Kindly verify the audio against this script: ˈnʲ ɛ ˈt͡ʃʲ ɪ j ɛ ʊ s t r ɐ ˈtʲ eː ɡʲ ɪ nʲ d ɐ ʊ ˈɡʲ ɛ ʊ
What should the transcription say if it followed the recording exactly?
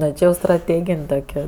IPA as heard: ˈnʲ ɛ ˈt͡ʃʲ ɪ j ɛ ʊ s t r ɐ ˈtʲ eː ɡʲ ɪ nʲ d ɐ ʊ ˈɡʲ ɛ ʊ